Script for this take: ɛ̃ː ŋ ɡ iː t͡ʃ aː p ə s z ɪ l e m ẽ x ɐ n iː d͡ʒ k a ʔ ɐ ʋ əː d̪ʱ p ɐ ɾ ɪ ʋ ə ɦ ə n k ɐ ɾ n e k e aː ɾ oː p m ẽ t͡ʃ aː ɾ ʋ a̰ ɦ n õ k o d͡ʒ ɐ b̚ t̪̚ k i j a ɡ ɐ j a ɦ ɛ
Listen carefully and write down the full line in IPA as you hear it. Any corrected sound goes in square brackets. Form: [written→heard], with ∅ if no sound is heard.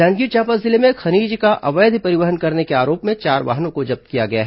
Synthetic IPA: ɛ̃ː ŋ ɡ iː t͡ʃ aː p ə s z ɪ l e m ẽ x ɐ n iː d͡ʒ k a ʔ ɐ ʋ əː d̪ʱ p ɐ ɾ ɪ ʋ ə ɦ ə n k ɐ ɾ n e k e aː ɾ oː p m ẽ t͡ʃ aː ɾ ʋ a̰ ɦ n õ k o d͡ʒ ɐ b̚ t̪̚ k i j a ɡ ɐ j a ɦ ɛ

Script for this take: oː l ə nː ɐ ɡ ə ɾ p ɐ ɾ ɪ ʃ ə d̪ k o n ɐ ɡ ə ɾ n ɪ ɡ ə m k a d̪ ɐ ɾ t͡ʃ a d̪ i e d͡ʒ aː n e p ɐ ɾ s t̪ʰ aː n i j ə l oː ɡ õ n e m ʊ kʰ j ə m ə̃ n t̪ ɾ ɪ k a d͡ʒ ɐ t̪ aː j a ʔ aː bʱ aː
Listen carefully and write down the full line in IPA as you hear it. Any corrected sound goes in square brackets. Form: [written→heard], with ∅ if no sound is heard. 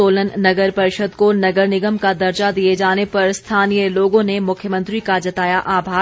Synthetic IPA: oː l ə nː ɐ ɡ ə ɾ p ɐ ɾ ɪ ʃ ə d̪ k o n ɐ ɡ ə ɾ n ɪ ɡ ə m k a d̪ ɐ ɾ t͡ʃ a d̪ i e d͡ʒ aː n e p ɐ ɾ s t̪ʰ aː n i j ə l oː ɡ õ n e m ʊ kʰ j ə m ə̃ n t̪ ɾ [ɪ→i] k a d͡ʒ ɐ t̪ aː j a ʔ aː bʱ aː

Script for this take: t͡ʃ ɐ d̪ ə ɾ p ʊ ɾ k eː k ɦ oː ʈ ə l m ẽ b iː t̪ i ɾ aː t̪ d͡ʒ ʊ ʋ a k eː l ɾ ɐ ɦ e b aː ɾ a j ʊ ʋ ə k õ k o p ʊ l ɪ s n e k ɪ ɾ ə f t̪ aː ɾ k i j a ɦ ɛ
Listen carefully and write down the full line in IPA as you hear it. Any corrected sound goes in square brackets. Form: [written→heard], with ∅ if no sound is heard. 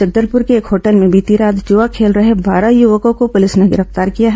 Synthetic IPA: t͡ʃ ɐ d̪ ə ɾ p ʊ ɾ k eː k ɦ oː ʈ ə l m ẽ b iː t̪ i ɾ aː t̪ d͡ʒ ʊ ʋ a [k→kʰ] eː l ɾ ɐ ɦ e b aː ɾ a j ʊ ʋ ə k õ k o p ʊ l ɪ s n e [k→ɡ] ɪ ɾ ə f t̪ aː ɾ k i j a ɦ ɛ

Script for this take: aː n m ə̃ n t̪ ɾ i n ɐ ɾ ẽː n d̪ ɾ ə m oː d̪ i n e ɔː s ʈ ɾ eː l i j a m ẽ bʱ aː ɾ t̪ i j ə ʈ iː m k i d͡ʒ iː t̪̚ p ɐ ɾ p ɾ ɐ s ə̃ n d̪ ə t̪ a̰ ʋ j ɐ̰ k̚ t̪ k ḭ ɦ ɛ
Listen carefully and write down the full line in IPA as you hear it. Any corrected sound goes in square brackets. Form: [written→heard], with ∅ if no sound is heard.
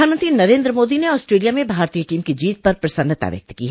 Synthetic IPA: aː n m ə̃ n t̪ ɾ i n ɐ ɾ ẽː n d̪ ɾ ə m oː d̪ i n e ɔː s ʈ ɾ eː l i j a m ẽ bʱ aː ɾ t̪ i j ə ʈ iː m k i d͡ʒ iː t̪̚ p ɐ ɾ p ɾ ɐ s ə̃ n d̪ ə t̪ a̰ ʋ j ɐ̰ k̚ t̪ k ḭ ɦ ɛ

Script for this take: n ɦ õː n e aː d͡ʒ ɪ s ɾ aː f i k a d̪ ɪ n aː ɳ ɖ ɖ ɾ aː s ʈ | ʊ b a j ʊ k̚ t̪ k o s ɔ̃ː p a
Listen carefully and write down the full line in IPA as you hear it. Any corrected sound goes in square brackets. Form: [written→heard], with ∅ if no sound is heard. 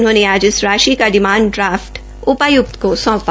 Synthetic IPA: n ɦ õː n e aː d͡ʒ ɪ s ɾ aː [f→ʃ] i k a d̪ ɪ [n→m] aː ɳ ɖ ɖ ɾ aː [s→f] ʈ | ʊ [b→p] a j ʊ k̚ t̪ k o s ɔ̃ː p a

